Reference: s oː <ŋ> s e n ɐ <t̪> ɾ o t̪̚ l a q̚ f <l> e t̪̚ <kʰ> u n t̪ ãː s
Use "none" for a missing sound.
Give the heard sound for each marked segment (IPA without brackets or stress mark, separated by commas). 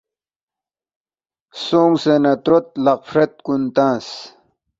ŋ, t̪, ɾ, k